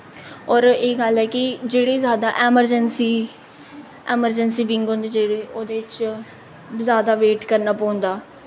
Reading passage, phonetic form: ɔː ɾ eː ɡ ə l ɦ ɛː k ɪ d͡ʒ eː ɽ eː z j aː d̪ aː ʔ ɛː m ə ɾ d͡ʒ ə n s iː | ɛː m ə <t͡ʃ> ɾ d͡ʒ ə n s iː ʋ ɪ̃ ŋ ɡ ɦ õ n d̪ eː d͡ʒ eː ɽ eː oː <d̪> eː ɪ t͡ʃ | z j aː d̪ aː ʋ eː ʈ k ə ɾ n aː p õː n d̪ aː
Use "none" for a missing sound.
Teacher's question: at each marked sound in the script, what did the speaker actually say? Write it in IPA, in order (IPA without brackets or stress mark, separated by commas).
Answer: none, d̪